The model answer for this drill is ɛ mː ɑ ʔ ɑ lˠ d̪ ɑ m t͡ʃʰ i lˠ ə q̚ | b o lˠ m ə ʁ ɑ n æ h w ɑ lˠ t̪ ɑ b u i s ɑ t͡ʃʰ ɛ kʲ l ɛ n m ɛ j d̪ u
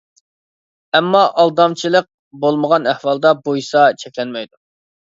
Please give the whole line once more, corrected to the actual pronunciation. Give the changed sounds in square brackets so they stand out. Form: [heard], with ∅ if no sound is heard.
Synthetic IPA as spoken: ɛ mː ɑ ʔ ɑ lˠ d̪ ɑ m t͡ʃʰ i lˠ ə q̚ | b o lˠ m ə ʁ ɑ n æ h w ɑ lˠ [d̪] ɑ b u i s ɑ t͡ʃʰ ɛ kʲ l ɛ n m ɛ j d̪ u